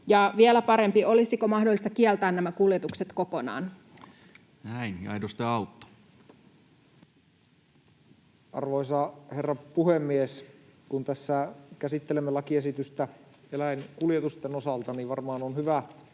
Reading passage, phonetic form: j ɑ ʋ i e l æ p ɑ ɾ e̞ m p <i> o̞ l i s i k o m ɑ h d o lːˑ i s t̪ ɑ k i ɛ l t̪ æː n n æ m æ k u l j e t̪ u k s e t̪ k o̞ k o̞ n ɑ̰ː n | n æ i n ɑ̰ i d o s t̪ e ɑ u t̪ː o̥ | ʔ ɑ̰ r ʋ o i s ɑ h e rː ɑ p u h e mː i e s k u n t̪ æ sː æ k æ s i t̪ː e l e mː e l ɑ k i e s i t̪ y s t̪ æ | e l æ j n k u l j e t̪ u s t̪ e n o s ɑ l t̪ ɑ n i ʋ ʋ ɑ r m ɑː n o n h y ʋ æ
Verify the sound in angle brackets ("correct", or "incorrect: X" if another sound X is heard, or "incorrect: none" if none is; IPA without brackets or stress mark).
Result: correct